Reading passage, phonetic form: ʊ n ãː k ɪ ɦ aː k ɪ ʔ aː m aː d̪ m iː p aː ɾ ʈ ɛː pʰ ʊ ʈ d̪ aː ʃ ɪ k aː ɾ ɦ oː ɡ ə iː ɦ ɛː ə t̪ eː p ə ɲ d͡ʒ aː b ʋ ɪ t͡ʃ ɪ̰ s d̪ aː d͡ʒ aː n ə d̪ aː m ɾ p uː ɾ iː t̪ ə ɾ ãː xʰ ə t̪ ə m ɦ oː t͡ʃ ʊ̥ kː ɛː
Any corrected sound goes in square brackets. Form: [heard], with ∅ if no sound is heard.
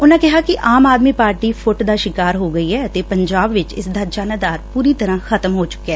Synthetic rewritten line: ʊ n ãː k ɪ ɦ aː k ɪ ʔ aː m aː d̪ m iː p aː ɾ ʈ [iː] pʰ ʊ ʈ d̪ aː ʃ ɪ k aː ɾ ɦ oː ɡ ə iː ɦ ɛː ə t̪ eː p ə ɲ d͡ʒ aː b ʋ ɪ t͡ʃ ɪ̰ s d̪ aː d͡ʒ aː n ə d̪ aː [∅] ɾ p uː ɾ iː t̪ ə ɾ ãː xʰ ə t̪ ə m ɦ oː t͡ʃ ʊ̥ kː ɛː